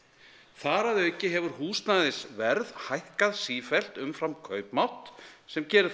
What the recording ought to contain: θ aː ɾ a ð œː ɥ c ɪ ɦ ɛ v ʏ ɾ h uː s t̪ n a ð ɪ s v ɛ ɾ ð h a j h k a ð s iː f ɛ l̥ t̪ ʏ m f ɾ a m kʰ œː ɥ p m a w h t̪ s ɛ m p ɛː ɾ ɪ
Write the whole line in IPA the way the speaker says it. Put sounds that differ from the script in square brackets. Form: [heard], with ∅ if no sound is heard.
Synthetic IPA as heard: θ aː ɾ a ð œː ɥ c ɪ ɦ ɛ v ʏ ɾ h uː s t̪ n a ð ɪ s v ɛ ɾ ð h a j h k a ð s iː f ɛ l̥ t̪ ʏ m f ɾ a m kʰ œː ɥ p m a w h t̪ s ɛ m [c] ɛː ɾ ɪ